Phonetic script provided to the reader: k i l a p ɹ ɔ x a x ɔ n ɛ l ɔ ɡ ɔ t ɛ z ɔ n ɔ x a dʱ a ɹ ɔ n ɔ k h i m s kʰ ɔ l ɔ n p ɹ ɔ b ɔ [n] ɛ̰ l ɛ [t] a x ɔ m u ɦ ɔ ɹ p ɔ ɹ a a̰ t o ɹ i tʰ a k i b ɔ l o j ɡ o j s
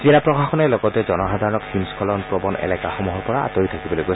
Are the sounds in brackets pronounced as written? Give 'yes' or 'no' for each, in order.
yes, no

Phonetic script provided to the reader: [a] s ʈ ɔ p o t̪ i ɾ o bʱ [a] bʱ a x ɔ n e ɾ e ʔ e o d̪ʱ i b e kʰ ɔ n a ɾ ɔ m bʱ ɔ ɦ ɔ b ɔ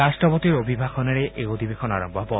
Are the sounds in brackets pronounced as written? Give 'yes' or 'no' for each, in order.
yes, no

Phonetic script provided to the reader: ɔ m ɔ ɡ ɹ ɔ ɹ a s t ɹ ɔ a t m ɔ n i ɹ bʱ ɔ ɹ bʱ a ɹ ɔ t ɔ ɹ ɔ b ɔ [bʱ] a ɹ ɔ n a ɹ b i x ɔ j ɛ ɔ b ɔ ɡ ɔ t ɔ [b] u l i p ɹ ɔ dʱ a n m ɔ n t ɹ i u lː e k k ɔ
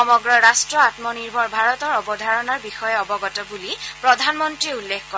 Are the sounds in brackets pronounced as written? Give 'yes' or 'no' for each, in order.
no, yes

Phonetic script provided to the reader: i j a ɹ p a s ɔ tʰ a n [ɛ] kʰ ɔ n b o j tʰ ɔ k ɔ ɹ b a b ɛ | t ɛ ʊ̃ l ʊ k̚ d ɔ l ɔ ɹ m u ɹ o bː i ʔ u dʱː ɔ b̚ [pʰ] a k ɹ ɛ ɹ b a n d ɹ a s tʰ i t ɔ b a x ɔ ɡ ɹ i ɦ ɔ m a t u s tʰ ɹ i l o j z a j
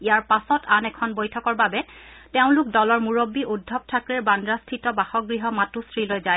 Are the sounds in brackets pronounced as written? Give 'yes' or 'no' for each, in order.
yes, no

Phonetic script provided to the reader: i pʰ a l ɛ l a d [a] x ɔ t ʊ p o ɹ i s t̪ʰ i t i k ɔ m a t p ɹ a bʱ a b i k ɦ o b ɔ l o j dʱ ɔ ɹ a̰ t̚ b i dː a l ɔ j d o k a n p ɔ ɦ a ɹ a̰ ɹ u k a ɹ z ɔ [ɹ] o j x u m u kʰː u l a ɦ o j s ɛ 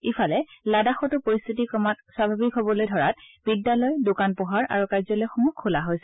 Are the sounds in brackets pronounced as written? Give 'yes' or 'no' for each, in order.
yes, no

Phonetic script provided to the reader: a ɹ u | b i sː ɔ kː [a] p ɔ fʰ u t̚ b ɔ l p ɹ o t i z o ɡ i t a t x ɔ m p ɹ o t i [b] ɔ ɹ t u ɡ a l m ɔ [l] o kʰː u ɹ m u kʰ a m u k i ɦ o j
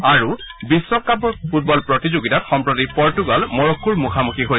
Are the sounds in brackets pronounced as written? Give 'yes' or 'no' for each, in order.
yes, no, no

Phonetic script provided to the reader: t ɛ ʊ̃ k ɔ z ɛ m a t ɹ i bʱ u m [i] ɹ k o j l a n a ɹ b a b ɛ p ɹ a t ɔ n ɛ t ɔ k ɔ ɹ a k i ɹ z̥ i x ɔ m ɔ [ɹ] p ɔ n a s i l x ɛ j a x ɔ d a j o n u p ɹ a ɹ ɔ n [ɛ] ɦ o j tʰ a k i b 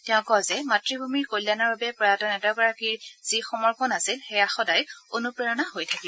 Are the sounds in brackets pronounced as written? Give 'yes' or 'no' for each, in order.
yes, yes, no

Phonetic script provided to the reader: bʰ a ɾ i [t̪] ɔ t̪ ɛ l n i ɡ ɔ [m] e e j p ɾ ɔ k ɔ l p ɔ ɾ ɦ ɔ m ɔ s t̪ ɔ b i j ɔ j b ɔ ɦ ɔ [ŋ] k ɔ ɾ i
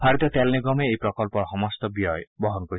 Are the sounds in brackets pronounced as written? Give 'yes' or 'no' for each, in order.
yes, yes, no

